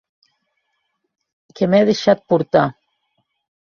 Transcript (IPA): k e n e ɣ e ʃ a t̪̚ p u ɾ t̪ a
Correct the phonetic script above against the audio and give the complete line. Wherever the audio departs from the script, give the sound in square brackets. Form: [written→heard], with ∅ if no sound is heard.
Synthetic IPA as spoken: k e [n→m] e [ɣ→ð] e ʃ a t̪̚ p u ɾ t̪ a